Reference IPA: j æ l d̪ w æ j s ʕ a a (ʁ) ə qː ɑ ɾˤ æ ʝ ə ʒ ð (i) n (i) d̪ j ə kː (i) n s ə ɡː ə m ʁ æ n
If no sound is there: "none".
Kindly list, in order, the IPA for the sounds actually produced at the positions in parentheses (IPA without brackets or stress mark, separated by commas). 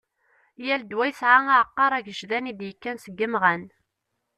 ʕ, æ, i, æ